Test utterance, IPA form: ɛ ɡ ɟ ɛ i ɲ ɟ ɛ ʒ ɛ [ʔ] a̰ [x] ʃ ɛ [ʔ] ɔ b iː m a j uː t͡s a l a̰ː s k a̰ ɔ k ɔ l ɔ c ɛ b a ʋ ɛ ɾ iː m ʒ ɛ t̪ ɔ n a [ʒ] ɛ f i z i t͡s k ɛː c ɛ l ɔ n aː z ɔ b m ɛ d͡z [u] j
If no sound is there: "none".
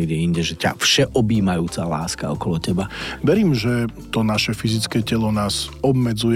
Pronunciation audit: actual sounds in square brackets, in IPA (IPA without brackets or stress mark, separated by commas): c, f, ʔ, ʃ, u